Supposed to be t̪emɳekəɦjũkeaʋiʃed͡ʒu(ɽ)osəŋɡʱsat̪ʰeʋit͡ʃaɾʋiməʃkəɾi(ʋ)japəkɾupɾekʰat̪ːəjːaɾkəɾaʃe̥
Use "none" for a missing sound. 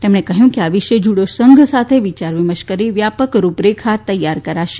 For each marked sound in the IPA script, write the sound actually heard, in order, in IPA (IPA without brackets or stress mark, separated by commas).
ɽ, ʋ